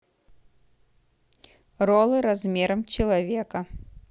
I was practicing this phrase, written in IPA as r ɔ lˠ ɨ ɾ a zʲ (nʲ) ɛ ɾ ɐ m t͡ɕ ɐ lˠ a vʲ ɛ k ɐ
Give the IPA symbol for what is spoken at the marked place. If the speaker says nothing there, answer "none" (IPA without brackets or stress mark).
mʲ